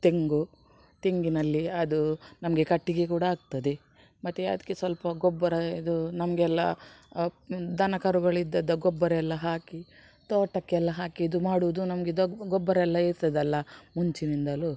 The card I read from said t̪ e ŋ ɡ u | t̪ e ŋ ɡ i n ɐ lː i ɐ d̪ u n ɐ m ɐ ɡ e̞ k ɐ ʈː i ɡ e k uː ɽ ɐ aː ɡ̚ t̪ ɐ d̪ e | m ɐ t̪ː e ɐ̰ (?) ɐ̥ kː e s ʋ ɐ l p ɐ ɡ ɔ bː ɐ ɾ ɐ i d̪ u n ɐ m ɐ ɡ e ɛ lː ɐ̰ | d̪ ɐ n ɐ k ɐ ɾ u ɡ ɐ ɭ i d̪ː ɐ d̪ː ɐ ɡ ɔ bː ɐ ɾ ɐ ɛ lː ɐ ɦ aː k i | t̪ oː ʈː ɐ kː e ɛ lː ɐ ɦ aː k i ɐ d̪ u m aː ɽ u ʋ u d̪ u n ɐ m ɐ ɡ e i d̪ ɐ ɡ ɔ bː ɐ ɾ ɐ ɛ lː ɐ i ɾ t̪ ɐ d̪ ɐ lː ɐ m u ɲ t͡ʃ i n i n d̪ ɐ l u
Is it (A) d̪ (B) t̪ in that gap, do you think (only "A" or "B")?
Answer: A